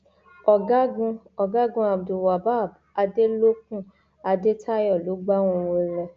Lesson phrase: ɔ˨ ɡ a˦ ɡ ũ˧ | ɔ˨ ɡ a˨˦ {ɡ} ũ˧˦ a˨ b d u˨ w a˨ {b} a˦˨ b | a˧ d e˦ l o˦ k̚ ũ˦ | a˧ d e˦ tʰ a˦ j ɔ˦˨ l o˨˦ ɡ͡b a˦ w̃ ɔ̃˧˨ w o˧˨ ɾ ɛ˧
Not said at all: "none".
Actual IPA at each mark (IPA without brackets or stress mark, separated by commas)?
ɡ, b